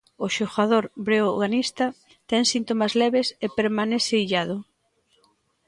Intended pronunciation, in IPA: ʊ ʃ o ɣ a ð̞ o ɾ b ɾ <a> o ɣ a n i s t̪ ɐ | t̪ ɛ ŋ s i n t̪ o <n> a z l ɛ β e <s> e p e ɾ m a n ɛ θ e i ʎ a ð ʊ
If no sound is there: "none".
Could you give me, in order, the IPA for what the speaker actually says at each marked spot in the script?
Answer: e, m, s

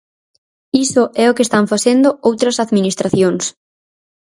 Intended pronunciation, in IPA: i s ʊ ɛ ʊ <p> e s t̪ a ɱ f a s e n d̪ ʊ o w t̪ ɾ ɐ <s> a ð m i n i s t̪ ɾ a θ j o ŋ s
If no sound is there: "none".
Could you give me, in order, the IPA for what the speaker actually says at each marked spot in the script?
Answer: k, s

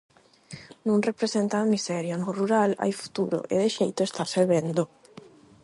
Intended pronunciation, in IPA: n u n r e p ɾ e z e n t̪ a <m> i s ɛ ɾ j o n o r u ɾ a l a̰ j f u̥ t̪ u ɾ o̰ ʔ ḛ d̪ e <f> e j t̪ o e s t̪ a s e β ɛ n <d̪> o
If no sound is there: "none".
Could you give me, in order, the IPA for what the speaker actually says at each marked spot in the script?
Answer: m, ʃ, d̪

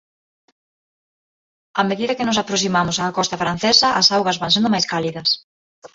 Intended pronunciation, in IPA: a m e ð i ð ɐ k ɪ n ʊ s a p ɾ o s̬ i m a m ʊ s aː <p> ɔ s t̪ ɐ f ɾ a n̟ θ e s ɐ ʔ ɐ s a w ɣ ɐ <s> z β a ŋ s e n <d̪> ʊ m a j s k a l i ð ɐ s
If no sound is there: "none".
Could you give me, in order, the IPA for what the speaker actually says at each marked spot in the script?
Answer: k, none, d̪

